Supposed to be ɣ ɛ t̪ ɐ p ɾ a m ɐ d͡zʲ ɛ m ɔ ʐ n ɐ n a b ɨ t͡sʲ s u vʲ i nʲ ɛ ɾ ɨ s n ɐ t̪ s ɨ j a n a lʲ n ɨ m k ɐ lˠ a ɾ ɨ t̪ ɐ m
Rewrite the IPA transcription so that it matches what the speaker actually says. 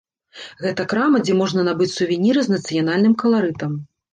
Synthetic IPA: ɣ ɛ t̪ ɐ k ɾ a m ɐ d͡zʲ ɛ m ɔ ʐ n ɐ n a b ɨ t͡sʲ s u vʲ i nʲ i ɾ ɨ z n ɐ t̪ s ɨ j a n a lʲ n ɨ m k ɐ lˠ a ɾ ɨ t̪ ɐ m